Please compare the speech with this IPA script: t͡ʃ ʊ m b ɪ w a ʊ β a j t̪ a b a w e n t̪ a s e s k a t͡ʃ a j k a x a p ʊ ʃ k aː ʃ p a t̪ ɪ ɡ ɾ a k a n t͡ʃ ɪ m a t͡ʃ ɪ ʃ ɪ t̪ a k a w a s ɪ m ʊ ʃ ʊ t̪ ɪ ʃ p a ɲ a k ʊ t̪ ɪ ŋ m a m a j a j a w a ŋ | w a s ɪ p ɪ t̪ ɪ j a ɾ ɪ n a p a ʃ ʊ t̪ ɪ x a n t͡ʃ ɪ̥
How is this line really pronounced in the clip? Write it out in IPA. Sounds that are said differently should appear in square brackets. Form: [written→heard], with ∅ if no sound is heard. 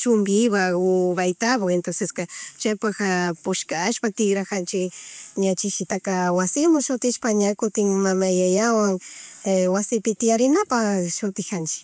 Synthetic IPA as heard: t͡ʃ ʊ m b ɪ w a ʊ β a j t̪ a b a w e n t̪ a s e s k a t͡ʃ a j [k→p] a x a p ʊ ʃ k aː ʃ p a t̪ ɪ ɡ ɾ a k a n t͡ʃ ɪ [m→ɲ] a t͡ʃ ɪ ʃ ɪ t̪ a k a w a s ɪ m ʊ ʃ ʊ t̪ ɪ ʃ p a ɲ a k ʊ t̪ ɪ ŋ m a m a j a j a w a ŋ | w a s ɪ p ɪ t̪ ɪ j a ɾ ɪ n a p a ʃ ʊ t̪ ɪ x a n t͡ʃ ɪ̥